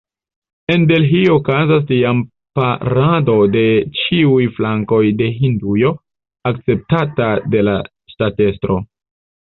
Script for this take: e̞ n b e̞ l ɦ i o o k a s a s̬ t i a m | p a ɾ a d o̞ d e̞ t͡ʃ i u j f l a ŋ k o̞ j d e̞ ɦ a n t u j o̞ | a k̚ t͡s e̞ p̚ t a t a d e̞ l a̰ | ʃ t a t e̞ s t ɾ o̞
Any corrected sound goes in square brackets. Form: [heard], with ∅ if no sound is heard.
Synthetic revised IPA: e̞ n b e̞ l ɦ i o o k a [z] a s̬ t i a m | p a ɾ a d o̞ d e̞ t͡ʃ i u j f l a ŋ k o̞ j d e̞ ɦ [i] n [d] u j o̞ | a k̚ t͡s e̞ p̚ t a t a d e̞ l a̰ | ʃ t a t e̞ s t ɾ o̞